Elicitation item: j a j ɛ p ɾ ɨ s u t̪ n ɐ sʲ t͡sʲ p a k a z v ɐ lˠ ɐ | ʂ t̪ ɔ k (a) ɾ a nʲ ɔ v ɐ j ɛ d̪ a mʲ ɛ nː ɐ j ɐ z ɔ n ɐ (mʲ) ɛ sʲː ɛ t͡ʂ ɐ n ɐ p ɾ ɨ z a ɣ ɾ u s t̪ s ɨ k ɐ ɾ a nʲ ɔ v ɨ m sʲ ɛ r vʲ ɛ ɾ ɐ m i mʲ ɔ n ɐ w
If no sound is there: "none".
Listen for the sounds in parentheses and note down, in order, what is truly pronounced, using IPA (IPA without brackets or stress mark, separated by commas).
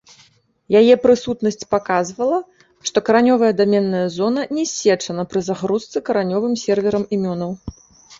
ɐ, nʲ